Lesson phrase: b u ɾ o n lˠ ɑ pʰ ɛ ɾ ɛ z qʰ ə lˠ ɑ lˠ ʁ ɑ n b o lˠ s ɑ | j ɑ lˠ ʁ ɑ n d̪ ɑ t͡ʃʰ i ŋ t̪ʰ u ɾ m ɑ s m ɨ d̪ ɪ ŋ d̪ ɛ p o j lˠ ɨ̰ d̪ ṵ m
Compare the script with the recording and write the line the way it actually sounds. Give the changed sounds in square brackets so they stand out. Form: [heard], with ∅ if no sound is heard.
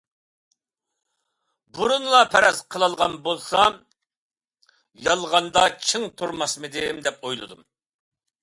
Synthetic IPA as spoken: b u ɾ [u] n lˠ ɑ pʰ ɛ ɾ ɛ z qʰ ə lˠ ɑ lˠ ʁ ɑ n b o lˠ s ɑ | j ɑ lˠ ʁ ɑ n d̪ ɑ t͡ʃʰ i ŋ t̪ʰ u ɾ m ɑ s m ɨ d̪ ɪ [m] d̪ ɛ p o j lˠ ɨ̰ d̪ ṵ m